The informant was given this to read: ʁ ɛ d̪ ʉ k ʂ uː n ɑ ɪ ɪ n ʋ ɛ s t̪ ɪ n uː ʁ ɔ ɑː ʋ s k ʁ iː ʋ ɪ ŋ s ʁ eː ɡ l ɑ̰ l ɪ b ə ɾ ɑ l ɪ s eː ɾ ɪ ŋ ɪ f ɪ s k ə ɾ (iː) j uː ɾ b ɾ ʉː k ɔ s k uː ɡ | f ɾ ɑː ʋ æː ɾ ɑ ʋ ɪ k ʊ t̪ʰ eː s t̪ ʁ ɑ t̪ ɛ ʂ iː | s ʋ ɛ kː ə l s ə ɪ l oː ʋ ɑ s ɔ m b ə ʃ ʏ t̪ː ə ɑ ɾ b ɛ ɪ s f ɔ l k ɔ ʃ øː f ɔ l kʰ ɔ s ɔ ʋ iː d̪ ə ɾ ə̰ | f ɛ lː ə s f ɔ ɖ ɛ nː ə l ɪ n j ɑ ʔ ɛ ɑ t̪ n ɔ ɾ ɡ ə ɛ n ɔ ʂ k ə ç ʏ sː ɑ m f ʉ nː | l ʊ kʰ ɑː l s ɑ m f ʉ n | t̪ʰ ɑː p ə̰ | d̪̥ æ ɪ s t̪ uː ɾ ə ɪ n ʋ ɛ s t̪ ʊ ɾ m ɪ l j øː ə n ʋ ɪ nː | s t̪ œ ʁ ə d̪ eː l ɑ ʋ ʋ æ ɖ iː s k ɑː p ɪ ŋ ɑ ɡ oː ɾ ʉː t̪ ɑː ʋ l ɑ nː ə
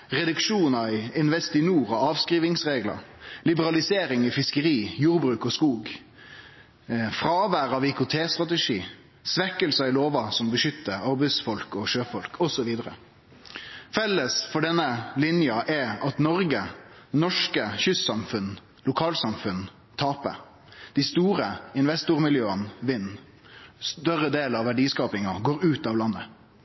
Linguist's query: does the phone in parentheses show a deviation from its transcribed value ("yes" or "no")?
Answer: no